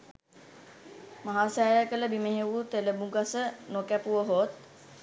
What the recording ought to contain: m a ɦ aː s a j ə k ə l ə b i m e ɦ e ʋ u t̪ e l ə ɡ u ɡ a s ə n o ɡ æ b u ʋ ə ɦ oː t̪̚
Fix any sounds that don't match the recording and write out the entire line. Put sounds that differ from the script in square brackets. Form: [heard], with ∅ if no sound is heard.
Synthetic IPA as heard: m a ɦ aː s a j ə k ə l ə b i m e ɦ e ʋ u t̪ e l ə [b] u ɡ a s ə n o [k] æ [p] u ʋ ə ɦ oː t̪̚